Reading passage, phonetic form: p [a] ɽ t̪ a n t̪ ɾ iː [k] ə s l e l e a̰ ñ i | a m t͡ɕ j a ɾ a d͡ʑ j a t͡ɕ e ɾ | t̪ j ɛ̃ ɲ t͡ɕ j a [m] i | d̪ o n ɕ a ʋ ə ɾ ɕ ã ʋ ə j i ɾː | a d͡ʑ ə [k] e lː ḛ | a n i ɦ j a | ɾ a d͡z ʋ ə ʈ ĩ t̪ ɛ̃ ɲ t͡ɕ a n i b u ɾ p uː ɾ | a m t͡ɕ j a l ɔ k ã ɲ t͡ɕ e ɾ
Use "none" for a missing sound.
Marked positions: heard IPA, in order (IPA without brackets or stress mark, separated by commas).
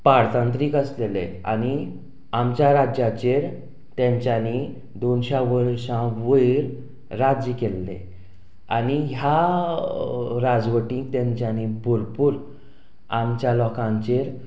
a, k, n, k